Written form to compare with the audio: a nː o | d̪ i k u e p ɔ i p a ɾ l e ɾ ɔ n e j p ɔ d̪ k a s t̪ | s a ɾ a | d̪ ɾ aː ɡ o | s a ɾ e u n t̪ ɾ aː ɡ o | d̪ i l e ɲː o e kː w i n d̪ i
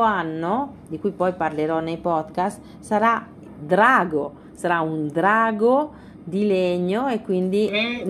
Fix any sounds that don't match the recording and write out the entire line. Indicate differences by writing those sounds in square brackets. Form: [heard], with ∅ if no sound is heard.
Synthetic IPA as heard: a nː o | d̪ i k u [i] p ɔ [j] p a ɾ l e ɾ ɔ n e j p ɔ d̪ k a s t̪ | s a ɾ a | d̪ ɾ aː ɡ o | s a ɾ [a] u n [d̪] ɾ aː ɡ o | d̪ i l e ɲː o e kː w i n d̪ i